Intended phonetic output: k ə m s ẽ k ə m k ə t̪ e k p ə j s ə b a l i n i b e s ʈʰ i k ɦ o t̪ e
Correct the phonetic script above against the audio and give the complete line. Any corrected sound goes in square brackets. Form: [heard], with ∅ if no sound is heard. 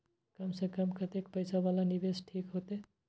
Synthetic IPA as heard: k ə m s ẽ k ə m k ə t̪ e k p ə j s [a] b a l [a] n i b e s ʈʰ i k ɦ o t̪ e